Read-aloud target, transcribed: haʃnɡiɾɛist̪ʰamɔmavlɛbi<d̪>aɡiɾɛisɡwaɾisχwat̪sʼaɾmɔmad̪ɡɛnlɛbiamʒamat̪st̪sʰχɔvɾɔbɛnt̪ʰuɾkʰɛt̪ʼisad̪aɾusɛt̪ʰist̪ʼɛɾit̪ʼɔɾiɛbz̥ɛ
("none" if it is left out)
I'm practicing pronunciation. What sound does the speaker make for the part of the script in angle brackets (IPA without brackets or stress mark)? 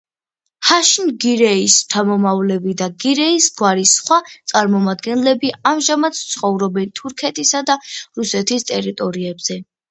d̪